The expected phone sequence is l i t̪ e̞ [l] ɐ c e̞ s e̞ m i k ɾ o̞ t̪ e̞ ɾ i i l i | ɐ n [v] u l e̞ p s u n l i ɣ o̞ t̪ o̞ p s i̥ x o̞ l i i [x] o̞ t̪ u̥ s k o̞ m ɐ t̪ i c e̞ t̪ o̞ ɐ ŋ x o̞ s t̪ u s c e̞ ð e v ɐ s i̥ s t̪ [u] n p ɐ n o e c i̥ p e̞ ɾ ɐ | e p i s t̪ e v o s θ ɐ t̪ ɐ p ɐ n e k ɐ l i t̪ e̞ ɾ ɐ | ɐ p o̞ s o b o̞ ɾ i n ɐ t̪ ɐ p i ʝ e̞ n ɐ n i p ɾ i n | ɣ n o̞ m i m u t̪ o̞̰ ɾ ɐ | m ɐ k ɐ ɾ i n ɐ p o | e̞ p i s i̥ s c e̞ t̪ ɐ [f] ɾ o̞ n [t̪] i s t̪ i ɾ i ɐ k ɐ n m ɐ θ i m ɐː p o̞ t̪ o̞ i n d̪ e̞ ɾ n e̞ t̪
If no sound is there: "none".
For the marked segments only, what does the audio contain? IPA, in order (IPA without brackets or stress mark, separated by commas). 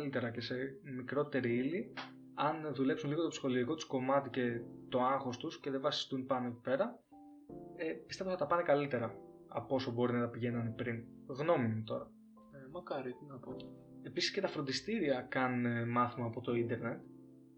ɾ, ð, k, u, f, d̪